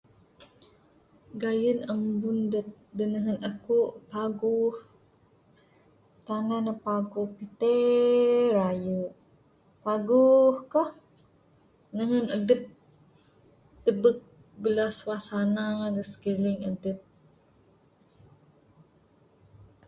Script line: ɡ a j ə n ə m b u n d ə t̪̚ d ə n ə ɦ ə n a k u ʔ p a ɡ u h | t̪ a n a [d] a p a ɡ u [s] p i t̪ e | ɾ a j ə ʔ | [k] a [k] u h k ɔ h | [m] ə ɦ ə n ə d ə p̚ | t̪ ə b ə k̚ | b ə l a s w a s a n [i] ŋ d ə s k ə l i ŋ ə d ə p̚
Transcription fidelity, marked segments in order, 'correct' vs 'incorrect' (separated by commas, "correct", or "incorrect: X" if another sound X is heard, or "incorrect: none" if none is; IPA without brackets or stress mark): incorrect: n, incorrect: h, incorrect: p, incorrect: ɡ, incorrect: n, incorrect: a